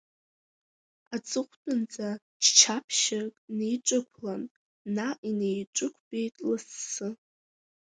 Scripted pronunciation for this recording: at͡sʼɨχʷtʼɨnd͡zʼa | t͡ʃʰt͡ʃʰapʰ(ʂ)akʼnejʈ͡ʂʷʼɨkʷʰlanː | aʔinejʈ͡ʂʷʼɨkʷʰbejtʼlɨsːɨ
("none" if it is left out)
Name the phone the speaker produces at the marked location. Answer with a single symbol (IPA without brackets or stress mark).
ʃ